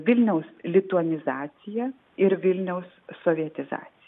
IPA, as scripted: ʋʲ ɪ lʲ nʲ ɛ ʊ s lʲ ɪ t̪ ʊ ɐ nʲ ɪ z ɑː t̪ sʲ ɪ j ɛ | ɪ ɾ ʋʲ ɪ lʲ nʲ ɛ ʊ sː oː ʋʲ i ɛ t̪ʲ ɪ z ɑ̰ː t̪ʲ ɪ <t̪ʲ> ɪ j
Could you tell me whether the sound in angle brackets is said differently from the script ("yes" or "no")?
yes